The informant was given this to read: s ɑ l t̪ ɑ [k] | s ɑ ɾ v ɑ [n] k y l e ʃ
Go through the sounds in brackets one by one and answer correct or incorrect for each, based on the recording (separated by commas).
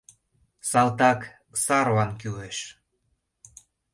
correct, correct